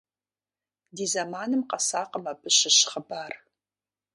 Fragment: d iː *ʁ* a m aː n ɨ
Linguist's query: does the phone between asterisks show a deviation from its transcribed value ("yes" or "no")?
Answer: yes